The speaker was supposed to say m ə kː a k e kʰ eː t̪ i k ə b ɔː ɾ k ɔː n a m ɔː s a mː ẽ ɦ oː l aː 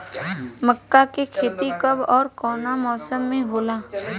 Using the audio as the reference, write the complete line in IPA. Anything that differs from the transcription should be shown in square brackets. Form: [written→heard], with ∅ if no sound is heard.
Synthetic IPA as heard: m ə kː a k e kʰ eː t̪ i k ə b ɔː ɾ k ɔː n a m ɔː s [a→ə] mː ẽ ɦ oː l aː

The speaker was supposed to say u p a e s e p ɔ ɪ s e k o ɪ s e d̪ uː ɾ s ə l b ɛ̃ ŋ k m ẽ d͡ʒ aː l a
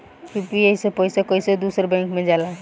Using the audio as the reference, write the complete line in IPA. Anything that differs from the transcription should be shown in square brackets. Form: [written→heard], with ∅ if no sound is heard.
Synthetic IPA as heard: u p [a→i] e s e p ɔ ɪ s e k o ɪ s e d̪ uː [ɾ→∅] s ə [l→ɾ] b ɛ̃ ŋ k m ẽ d͡ʒ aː l a

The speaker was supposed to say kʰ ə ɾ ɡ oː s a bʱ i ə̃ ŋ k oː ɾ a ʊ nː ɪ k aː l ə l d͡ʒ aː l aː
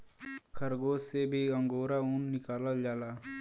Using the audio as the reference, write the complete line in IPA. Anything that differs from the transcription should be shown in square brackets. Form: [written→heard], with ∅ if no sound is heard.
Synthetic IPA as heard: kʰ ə ɾ ɡ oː s [a→e] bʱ i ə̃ ŋ [k→ɡ] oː ɾ a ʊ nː ɪ k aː l ə l d͡ʒ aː l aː

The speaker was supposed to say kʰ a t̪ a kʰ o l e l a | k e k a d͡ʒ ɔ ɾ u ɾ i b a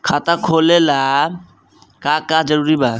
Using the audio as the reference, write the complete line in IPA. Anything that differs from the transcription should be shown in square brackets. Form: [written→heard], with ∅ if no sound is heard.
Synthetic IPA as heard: kʰ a t̪ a kʰ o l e l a | k [e→a] k a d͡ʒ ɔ ɾ u ɾ i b a

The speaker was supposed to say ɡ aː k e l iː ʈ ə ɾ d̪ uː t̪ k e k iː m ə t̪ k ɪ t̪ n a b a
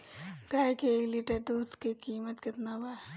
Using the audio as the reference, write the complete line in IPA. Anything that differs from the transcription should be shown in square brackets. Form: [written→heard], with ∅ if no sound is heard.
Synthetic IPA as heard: ɡ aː k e l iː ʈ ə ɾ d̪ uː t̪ k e k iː m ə t̪ k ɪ t̪ n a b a

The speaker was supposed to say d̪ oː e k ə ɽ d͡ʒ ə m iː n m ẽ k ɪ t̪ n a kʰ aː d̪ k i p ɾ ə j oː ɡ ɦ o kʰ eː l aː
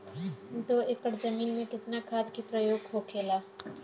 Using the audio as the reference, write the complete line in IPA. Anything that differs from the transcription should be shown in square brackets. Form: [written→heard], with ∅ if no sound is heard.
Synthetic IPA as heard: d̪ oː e k ə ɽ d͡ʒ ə m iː n m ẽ k ɪ t̪ n a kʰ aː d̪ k i p ɾ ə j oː ɡ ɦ o kʰ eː l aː

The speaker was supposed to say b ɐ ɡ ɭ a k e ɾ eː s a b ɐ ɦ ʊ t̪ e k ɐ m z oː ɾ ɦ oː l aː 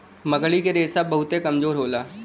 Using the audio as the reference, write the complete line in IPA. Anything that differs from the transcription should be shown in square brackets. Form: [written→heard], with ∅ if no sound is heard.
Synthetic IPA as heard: [b→m] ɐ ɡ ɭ [a→i] k e ɾ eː s a b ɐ ɦ ʊ t̪ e k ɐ m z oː ɾ ɦ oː l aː

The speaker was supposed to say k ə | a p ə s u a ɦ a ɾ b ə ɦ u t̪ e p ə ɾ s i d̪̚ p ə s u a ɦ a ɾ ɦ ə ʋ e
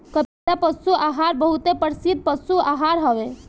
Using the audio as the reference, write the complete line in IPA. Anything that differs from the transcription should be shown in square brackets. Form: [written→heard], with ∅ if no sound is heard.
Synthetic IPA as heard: k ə | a p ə s u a ɦ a ɾ b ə ɦ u t̪ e p ə ɾ s i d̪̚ p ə s u a ɦ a ɾ ɦ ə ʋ e

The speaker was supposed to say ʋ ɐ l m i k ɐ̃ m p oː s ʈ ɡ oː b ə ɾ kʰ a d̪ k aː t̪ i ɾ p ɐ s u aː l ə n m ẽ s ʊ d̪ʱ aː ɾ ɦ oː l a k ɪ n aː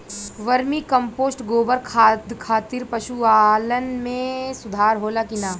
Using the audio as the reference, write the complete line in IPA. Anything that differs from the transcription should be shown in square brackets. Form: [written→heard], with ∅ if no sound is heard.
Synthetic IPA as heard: ʋ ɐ [l→ɾ] m i k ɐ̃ m p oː s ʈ ɡ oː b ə ɾ kʰ a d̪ [k→kʰ] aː t̪ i ɾ p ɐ [s→ʃ] u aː l ə n m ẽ s ʊ d̪ʱ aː ɾ ɦ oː l a k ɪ n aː

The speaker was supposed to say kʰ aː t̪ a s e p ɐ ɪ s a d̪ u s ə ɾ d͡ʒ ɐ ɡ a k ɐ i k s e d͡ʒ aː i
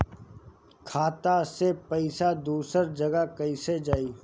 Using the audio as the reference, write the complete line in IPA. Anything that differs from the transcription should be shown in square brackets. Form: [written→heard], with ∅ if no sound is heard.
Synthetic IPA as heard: kʰ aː t̪ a s e p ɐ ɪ s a d̪ [u→uː] s ə ɾ d͡ʒ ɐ ɡ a k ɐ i [k→∅] s e d͡ʒ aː i

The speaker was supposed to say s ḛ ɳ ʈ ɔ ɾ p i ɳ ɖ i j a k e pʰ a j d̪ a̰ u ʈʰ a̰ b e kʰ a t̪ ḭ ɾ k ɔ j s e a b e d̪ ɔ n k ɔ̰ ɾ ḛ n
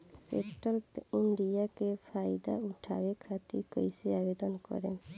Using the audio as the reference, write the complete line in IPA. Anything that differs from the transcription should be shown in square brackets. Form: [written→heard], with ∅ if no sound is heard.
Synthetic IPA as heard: s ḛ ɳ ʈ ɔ [ɾ→l] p i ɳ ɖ i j a k e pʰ a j d̪ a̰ u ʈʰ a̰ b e kʰ a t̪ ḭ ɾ k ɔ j s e a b e d̪ ɔ n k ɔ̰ ɾ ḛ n

